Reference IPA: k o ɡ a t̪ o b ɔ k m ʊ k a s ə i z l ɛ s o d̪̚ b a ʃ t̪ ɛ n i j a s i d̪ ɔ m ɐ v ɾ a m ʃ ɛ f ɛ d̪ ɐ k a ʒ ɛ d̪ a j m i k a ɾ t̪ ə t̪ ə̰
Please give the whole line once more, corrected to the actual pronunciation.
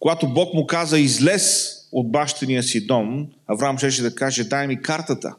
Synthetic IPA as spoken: k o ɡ a t̪ o b ɔ k m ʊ k a z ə i z l ɛ s o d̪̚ b a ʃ t̪ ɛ n i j ə s i d̪ ɔ m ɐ v ɾ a m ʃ ɛ ʃ ɛ d̪ ɐ k a ʒ ɛ d̪ a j m i k a ɾ t̪ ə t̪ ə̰